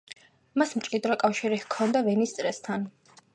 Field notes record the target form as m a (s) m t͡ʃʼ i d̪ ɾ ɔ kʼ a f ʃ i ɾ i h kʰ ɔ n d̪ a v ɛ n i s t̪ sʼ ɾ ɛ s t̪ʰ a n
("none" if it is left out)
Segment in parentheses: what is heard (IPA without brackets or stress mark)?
s